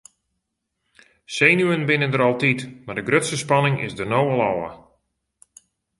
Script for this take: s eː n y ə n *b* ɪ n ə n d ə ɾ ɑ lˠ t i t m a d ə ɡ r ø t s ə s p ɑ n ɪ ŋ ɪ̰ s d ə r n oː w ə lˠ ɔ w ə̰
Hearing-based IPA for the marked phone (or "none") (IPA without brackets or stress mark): b